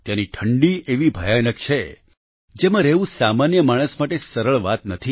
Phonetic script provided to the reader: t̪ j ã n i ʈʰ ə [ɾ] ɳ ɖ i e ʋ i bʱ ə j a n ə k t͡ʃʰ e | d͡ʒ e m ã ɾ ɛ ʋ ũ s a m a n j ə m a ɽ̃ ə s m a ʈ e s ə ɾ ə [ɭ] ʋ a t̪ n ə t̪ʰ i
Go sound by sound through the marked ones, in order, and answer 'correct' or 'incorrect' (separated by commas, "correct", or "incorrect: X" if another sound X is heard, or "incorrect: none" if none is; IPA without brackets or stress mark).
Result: incorrect: none, correct